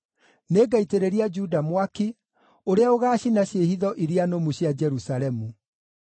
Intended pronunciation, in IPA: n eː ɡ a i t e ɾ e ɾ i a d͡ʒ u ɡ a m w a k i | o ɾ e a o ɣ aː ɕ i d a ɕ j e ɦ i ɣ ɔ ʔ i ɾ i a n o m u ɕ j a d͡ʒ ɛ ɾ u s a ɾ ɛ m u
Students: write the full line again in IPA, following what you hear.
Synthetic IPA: n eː ɡ a i t e ɾ e ɾ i a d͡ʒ u d a m w a k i | o ɾ e a o ɣ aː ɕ i n a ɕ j e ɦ i ð ɔ ʔ i ɾ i a n o m u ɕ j a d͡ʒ ɛ ɾ u s a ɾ ɛ m u